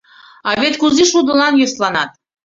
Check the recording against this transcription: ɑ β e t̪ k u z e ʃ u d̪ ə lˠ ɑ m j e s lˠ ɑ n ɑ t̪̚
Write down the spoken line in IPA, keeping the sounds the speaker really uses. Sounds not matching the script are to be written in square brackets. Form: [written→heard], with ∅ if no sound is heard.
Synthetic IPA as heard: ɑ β e t̪ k u z [e→i] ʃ u d̪ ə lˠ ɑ [m→n] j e s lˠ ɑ n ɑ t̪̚